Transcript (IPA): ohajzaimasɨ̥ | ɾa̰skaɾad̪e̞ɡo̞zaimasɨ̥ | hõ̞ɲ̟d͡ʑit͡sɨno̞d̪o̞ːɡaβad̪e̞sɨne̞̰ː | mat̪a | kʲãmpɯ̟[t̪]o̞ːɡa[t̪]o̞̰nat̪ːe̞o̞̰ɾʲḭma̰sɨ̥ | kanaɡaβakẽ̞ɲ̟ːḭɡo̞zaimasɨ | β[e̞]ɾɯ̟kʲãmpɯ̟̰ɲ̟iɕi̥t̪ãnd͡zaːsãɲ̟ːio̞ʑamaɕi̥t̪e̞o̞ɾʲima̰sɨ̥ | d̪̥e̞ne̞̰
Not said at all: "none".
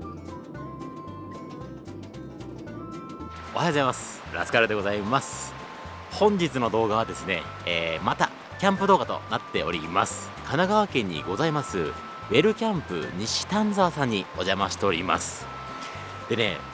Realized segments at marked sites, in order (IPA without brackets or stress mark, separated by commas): d̪, t̪, e̞